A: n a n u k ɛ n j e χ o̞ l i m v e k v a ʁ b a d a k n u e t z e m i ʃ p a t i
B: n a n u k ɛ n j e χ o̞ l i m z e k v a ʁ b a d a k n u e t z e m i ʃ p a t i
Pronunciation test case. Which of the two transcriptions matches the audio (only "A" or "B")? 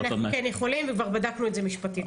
A